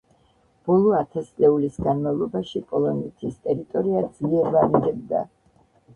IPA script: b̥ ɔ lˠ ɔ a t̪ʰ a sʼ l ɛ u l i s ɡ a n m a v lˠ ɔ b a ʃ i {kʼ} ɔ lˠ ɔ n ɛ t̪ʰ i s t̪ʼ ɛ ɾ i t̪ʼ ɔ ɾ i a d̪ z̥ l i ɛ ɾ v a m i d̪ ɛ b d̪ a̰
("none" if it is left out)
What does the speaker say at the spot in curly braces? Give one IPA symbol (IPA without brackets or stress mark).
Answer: pʼ